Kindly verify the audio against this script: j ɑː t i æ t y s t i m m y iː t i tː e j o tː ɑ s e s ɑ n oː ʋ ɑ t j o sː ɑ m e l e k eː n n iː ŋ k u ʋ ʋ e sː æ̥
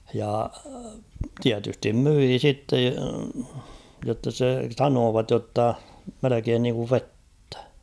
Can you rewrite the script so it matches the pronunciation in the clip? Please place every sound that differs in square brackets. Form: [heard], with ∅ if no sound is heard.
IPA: j [ɑ] t i æ t y s t i m m y iː [s] i tː e j o tː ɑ s e s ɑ n oː ʋ ɑ t j o [tː] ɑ m e l e k eː n n iː ŋ k u ʋ ʋ e [tː] æ̥